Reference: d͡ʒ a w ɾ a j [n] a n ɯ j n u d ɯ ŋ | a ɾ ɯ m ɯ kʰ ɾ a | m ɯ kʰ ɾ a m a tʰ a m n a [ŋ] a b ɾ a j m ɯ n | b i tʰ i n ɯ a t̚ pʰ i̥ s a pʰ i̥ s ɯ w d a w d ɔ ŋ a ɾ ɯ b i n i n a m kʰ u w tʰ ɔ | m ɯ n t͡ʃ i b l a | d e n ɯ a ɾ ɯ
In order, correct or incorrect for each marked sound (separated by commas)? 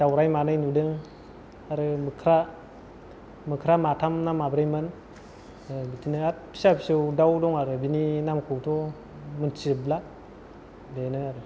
incorrect, incorrect